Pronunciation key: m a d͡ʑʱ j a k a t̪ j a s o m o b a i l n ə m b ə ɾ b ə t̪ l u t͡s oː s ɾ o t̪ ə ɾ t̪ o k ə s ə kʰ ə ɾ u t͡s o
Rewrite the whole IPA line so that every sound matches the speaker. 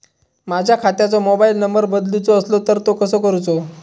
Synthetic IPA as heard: m a d͡ʑʱ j a kʰ a t̪ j a t͡s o m o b a i l n ə m b ə ɾ b ə d̪ l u t͡s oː s l o t̪ ə ɾ t̪ o k ə s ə k ə ɾ u t͡s o